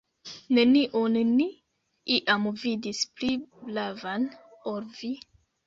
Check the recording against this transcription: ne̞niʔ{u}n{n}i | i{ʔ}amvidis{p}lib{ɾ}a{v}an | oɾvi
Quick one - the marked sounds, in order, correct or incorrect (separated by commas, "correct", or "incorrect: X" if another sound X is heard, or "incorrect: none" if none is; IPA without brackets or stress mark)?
incorrect: o, correct, correct, correct, incorrect: l, correct